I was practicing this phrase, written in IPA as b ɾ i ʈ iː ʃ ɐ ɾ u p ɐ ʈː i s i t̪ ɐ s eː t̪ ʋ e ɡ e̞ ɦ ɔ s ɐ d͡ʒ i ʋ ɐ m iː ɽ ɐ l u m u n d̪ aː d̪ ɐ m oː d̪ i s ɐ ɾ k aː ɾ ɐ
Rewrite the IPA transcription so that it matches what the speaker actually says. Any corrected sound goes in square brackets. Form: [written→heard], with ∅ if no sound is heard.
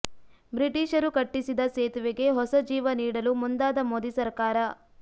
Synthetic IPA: b ɾ i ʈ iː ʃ ɐ ɾ u [p→k] ɐ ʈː i s i [t̪→d̪] ɐ s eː t̪ ʋ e ɡ e̞ ɦ ɔ s ɐ d͡ʒ [i→iː] ʋ ɐ [m→n] iː ɽ ɐ l u m u n d̪ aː d̪ ɐ m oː d̪ i s ɐ ɾ k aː ɾ ɐ